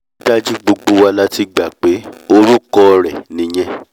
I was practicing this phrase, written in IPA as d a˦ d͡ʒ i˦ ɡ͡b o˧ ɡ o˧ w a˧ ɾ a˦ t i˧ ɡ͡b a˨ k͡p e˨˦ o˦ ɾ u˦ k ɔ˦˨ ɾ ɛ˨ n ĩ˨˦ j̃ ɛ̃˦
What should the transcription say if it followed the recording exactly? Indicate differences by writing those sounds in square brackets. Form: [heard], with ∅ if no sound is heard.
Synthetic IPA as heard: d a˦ d͡ʒ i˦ ɡ͡b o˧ [ɡ͡b] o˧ w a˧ [l] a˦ t i˧ ɡ͡b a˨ k͡p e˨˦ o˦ ɾ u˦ k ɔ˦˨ ɾ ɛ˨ n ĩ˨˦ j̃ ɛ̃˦